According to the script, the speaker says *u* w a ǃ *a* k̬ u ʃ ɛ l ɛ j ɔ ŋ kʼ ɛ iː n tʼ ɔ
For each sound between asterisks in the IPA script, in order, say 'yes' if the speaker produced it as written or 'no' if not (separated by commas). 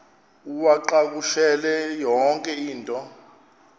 yes, yes